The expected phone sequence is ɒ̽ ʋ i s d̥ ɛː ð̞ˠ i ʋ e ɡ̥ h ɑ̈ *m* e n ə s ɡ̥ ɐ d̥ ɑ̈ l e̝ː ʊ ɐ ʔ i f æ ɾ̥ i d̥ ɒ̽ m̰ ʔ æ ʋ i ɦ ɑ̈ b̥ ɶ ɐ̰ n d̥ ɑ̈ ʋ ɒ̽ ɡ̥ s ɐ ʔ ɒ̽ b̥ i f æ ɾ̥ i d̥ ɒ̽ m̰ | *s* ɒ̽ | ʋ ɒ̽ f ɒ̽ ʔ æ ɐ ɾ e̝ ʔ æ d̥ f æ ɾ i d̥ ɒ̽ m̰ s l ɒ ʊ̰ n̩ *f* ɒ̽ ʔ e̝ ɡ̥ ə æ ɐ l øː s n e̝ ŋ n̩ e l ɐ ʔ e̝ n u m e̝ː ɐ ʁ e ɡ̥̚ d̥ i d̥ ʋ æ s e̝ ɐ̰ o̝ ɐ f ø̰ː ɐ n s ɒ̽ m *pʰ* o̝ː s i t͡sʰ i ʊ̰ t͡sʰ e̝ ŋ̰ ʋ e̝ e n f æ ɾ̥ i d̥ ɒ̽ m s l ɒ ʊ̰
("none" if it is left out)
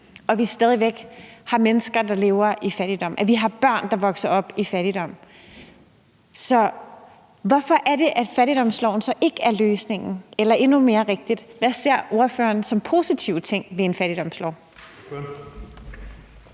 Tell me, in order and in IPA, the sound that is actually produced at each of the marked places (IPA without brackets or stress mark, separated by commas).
m, s, s, pʰ